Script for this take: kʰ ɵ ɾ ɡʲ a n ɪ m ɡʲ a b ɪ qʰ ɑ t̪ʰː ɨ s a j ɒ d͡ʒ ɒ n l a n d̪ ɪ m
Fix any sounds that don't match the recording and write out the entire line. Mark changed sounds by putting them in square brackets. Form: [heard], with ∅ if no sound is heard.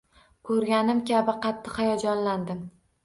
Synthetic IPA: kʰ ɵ ɾ ɡʲ a n ɪ m [kʲ] a b ɪ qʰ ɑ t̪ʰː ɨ [h] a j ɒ d͡ʒ ɒ n l a n d̪ ɪ m